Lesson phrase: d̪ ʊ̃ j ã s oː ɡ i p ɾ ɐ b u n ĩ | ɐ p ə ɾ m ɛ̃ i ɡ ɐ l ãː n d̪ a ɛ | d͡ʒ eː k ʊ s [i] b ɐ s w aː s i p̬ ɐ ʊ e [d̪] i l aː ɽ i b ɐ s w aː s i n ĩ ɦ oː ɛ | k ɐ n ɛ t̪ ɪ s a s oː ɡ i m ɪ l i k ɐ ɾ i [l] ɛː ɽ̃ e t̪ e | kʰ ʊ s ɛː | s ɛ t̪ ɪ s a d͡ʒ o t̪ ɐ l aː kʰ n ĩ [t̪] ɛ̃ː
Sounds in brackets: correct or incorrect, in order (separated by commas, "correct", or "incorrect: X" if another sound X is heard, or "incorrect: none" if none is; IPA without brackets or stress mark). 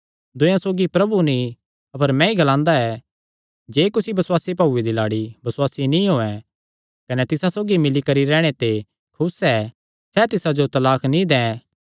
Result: correct, correct, incorrect: ɾ, incorrect: d̪